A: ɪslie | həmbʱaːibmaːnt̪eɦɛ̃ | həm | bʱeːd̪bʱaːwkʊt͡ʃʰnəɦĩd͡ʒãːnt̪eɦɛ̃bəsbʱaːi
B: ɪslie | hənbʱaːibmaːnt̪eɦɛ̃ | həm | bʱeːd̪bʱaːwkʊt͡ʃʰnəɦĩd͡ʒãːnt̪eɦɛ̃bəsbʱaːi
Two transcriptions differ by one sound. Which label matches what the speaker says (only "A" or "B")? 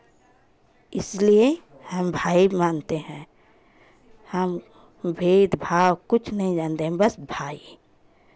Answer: A